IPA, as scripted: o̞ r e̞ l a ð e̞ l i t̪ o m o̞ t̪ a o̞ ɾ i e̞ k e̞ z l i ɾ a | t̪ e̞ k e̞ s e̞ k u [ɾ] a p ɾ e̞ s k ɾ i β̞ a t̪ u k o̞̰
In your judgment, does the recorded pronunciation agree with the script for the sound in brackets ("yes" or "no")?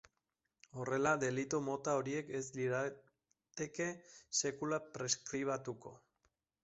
no